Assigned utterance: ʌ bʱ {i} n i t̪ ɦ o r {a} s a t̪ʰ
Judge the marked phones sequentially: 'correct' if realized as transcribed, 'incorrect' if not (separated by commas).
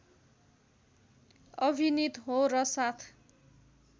correct, incorrect